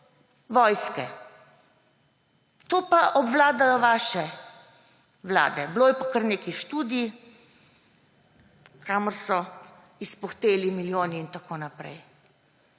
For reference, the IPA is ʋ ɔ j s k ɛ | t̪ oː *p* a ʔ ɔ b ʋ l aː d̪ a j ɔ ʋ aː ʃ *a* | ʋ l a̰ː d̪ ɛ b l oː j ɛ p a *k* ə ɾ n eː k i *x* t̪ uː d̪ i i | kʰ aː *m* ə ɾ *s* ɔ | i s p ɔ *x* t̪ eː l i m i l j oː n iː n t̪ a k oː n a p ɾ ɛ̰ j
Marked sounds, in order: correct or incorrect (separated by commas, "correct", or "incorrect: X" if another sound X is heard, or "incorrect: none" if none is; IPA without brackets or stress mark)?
correct, incorrect: ɛ, correct, incorrect: ʃ, correct, correct, correct